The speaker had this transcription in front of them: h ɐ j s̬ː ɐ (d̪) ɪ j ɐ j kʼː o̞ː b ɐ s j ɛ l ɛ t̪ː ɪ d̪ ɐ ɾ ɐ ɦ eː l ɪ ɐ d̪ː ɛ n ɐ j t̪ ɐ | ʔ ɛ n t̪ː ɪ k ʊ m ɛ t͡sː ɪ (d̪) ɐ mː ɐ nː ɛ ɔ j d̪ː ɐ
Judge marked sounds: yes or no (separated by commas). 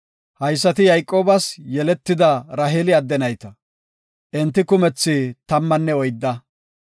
no, no